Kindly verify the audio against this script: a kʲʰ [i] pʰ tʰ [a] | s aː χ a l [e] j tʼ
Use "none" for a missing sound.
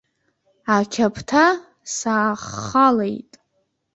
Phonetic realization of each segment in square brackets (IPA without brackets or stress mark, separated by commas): a, a, e